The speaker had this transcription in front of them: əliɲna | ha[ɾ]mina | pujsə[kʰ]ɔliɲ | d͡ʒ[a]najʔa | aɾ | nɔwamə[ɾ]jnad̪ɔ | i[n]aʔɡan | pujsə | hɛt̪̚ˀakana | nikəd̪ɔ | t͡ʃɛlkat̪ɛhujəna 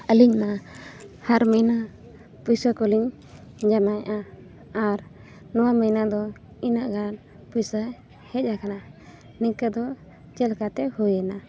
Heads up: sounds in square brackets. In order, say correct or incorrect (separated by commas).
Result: correct, incorrect, correct, incorrect, correct